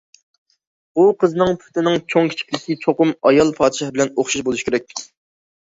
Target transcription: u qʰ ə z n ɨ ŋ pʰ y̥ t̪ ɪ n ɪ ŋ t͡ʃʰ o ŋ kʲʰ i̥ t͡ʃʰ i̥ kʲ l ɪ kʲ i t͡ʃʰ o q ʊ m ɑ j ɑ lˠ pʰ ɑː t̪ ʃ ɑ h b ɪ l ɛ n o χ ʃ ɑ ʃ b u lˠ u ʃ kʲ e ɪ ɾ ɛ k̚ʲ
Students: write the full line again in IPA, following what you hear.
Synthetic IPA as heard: u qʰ ə z n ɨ ŋ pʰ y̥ t̪ ɪ n ɪ ŋ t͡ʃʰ o ŋ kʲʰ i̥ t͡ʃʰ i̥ kʲ l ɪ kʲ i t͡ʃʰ o q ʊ m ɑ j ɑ lˠ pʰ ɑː d̪ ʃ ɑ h b ɪ l ɛ n o χ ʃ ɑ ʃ b o lˠ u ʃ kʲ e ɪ ɾ ɛ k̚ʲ

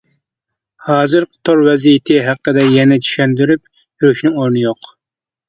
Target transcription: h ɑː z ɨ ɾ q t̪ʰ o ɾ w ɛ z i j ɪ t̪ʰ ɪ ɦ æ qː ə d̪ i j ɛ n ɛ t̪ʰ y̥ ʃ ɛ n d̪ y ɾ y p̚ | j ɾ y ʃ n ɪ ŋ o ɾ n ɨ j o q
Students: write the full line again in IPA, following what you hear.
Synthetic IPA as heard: h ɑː z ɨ ɾ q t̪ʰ o ɾ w ɛ z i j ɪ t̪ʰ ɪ ɦ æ qː ə d̪ ɛ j ɛ n ɛ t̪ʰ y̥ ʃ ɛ n d̪ y ɾ y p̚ | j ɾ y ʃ n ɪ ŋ o ɾ n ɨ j o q

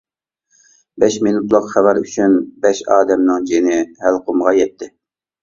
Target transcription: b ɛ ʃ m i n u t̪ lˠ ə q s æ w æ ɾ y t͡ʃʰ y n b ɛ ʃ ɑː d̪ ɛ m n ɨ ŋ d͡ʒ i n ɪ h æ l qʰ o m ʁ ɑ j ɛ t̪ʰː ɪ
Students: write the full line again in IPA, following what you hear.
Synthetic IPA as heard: b ɛ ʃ m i n u t̪ lˠ ə q χ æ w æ ɾ y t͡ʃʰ y n b ɛ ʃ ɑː d̪ ɛ m n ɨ ŋ d͡ʒ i n ɪ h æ l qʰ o m ʁ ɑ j ɛ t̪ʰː ɪ

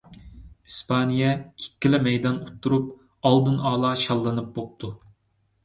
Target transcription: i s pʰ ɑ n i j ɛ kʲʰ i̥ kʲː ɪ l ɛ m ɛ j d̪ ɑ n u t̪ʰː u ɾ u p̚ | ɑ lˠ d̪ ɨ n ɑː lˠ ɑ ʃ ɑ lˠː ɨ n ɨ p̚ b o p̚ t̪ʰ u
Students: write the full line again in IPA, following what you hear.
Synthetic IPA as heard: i s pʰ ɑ n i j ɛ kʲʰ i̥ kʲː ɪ l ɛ m ɛ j d̪ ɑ n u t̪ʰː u ɾ u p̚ | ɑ lˠ d̪ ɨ n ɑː lˠ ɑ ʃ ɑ lˠː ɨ n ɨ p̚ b o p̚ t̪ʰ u

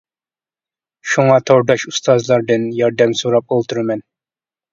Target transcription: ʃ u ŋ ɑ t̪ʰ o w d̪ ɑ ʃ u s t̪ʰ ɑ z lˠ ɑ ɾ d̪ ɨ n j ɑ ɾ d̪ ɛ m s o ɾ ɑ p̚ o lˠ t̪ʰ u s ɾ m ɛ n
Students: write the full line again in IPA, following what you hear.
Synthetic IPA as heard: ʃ u ŋ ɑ t̪ʰ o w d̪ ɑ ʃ u s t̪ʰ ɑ z lˠ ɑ ɾ d̪ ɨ n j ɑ ɾ d̪ ɛ m s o ɾ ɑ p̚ o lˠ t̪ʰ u ɾ m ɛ n

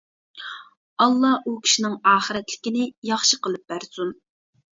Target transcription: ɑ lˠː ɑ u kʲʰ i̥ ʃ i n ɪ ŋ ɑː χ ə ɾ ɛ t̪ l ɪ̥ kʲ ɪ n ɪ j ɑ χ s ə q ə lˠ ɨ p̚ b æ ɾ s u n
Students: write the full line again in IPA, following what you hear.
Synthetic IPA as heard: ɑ lˠː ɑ u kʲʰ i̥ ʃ i n ɪ ŋ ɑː χ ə ɾ ɛ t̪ l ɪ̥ kʲ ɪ n ɪ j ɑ χ ʃ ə q ə lˠ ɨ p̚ b æ ɾ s u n

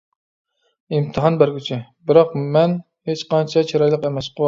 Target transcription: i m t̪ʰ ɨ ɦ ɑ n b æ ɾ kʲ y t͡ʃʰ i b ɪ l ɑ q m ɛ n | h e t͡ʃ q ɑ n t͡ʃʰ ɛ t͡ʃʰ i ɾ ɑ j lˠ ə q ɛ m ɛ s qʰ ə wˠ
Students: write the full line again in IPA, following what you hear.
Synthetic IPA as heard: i m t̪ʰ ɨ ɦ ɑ n b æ ɾ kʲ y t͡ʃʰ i b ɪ ɾ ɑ q m ɛ n | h e t͡ʃ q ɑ n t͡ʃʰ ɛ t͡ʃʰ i ɾ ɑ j lˠ ə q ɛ m ɛ s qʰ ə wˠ

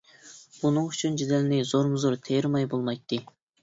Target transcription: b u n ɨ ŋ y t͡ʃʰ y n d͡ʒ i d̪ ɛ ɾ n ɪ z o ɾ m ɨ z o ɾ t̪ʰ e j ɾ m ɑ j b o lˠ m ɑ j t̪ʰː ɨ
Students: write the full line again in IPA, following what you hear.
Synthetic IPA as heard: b u n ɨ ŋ y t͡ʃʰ y n d͡ʒ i d̪ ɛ l n ɪ z o ɾ m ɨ z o ɾ t̪ʰ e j ɾ m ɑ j b o lˠ m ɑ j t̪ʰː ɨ

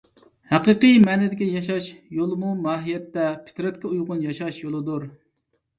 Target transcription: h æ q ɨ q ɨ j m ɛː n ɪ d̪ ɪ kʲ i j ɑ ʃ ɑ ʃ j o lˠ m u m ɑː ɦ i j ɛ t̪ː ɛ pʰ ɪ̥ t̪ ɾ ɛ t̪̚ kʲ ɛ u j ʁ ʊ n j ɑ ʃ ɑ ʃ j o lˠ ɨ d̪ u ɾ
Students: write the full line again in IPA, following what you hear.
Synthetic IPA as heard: h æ q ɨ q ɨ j m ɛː n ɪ d̪ ɪ kʲ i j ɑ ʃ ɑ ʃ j o lˠ m u m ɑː ɦ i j ɛ t̪ː ɛ pʰ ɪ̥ t̪ ɾ ɛ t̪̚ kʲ ɛ u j ʁ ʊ n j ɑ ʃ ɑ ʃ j o lˠ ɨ d̪ u ɾ

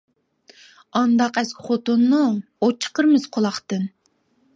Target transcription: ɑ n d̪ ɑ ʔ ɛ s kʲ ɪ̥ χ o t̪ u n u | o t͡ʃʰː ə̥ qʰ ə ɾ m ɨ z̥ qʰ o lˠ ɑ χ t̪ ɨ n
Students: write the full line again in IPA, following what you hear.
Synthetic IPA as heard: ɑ n d̪ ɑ q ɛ s kʲ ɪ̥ χ o t̪ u nː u | o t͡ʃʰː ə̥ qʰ ə ɾ m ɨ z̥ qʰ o lˠ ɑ χ t̪ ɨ n

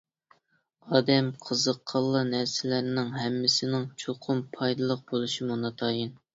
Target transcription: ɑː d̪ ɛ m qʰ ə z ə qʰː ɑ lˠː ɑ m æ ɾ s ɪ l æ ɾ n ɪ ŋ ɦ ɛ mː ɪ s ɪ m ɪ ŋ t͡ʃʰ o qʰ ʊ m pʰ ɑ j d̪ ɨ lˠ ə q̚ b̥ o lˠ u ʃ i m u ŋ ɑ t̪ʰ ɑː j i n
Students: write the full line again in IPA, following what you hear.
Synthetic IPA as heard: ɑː d̪ ɛ m qʰ ə z ə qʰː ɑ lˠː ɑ n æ ɾ s ɪ l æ ɾ n ɪ ŋ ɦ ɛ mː ɪ s ɪ n ɪ ŋ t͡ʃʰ o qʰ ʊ m pʰ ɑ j d̪ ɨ lˠ ə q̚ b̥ o lˠ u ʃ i m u n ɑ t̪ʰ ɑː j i n

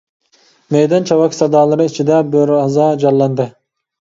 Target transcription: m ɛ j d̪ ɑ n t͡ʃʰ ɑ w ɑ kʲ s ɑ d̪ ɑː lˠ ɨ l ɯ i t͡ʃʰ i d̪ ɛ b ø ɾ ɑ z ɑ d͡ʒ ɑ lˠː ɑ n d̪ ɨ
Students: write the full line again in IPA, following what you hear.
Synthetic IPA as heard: m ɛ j d̪ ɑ n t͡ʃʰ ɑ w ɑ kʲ s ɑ d̪ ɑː lˠ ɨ ɾ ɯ i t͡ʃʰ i d̪ ɛ b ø ɾ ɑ z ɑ d͡ʒ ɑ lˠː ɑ n d̪ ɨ

